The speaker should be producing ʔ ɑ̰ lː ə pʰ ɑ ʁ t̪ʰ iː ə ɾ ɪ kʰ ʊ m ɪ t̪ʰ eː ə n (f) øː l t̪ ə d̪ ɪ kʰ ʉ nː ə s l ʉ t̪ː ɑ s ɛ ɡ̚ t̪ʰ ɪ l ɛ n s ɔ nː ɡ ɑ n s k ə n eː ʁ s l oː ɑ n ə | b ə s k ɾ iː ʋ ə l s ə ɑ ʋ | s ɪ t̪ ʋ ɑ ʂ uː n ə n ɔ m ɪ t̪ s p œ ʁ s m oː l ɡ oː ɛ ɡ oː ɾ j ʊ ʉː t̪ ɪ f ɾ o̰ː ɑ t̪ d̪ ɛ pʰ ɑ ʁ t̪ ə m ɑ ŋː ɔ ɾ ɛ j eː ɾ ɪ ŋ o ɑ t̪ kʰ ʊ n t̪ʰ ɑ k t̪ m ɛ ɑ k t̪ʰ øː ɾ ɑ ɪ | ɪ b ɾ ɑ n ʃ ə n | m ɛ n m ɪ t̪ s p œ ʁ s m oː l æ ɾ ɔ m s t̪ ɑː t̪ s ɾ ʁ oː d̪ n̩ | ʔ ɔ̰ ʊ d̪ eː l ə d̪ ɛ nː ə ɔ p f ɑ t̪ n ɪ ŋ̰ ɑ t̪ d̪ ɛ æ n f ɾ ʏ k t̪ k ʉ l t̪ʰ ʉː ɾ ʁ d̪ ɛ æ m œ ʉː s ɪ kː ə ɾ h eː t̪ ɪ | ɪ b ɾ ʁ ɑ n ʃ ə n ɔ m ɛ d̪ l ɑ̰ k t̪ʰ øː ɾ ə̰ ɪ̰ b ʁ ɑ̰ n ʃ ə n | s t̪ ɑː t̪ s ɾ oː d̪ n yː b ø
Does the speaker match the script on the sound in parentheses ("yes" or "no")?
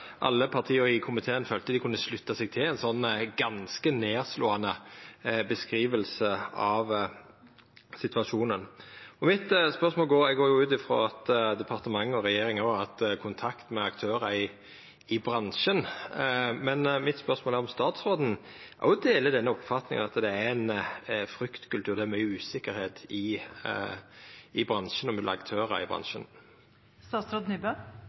yes